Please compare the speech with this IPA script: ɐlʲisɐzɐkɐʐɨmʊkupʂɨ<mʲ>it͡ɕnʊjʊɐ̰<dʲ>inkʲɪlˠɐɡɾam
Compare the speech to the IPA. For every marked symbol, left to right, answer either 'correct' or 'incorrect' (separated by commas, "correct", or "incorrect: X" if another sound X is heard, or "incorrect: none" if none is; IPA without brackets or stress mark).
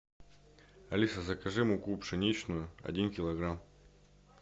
incorrect: nʲ, correct